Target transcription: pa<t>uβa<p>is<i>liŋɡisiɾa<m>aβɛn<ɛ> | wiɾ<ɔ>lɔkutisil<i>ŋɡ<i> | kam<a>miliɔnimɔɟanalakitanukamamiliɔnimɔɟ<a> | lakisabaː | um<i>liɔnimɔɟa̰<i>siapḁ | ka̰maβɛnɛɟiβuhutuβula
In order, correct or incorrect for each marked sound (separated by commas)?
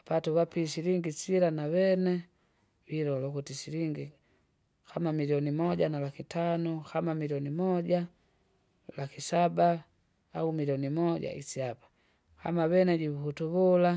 correct, correct, correct, incorrect, correct, correct, correct, correct, correct, correct, correct, correct